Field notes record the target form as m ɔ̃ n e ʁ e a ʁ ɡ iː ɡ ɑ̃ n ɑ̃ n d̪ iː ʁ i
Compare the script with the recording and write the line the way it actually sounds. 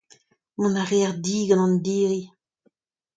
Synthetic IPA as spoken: m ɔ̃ n a ʁ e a ʁ d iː ɡ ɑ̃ n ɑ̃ n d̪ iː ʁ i